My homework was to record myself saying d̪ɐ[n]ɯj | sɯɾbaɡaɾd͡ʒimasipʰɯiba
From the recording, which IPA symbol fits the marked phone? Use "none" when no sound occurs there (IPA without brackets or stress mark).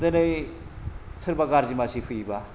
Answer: n